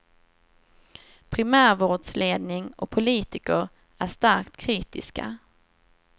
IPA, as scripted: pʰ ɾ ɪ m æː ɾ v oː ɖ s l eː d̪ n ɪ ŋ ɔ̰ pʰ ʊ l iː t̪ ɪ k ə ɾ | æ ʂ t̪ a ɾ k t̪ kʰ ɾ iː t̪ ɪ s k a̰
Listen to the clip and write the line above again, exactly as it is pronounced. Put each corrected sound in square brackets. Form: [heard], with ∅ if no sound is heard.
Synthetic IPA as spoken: pʰ ɾ ɪ m æː ɾ v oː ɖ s l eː d̪ n ɪ ŋ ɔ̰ pʰ ʊ l iː t̪ ɪ k ə ɾ | æ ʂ t̪ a ɾ k t̪ kʰ ɾ iː t̪ ɪ s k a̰